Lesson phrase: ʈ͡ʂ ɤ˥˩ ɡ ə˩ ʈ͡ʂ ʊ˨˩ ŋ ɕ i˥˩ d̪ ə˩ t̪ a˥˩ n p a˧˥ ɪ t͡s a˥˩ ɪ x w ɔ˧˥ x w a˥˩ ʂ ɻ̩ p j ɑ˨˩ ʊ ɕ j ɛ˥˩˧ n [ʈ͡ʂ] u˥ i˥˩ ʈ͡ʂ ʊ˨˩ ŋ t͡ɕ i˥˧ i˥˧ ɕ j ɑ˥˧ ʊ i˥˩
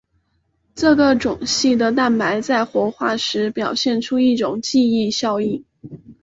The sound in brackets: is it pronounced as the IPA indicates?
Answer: no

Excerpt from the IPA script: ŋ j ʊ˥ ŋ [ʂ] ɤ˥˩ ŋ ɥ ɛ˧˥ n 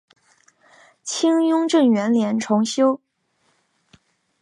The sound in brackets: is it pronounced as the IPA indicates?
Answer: no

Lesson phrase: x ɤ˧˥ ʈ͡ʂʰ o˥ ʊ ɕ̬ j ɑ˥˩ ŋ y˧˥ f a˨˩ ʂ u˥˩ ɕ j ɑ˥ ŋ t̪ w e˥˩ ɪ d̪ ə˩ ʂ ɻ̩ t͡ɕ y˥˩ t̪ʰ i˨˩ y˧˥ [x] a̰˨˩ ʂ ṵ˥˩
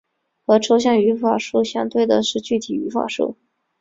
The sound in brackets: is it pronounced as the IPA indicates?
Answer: no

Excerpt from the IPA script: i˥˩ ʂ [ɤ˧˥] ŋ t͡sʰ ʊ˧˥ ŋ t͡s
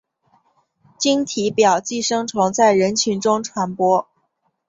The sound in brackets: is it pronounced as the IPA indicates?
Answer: no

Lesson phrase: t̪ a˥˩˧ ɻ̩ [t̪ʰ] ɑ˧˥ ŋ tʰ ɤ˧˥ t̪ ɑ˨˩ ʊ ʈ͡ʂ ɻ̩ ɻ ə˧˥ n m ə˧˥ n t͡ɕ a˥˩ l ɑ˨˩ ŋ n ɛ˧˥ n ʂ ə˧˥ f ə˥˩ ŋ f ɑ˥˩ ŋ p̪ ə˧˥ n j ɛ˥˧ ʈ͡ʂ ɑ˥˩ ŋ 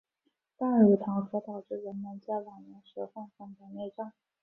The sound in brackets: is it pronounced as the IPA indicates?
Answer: yes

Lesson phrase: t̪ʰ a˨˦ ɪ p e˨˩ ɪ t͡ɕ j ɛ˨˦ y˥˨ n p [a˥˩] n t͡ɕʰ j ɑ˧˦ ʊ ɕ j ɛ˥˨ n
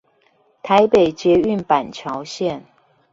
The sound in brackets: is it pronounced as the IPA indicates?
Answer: no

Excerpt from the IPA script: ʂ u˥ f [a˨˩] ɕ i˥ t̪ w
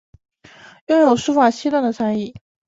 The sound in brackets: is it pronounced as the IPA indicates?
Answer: yes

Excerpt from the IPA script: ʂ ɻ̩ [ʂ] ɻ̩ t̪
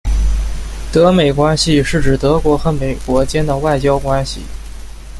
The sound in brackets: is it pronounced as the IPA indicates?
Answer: no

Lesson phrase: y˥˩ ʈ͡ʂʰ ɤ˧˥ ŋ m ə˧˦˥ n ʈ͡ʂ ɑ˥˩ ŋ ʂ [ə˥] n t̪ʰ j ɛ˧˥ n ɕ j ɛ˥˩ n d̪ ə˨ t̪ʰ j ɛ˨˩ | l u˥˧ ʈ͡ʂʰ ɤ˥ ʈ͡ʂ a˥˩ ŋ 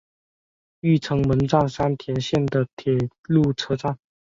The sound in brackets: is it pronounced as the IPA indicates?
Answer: no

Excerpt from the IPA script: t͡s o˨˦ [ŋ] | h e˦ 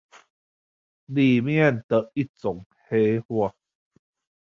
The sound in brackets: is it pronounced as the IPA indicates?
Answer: yes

